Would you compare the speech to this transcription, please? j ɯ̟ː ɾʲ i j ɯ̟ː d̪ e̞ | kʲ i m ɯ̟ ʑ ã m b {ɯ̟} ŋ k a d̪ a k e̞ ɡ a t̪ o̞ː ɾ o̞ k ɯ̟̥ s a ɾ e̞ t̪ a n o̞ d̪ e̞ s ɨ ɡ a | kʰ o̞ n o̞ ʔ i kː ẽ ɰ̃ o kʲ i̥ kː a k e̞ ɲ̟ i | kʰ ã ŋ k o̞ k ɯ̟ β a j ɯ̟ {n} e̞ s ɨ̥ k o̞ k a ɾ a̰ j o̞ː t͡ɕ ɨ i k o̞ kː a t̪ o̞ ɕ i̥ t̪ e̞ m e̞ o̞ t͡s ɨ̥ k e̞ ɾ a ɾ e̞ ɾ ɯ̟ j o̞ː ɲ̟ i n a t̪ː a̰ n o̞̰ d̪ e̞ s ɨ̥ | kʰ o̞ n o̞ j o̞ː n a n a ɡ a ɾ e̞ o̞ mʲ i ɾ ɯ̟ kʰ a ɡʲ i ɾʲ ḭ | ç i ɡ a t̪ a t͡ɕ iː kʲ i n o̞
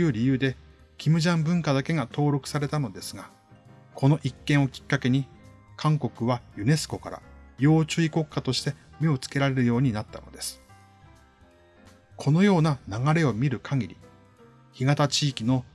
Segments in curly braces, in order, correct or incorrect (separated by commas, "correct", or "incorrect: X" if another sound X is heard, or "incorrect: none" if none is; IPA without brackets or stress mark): incorrect: ɯ̟̃, correct